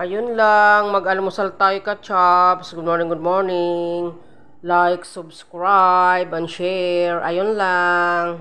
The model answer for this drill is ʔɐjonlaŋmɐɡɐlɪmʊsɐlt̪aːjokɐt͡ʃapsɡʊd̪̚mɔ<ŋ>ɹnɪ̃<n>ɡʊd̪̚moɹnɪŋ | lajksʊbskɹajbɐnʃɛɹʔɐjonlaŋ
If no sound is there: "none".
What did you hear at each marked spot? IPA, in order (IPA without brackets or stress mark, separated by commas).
none, ŋ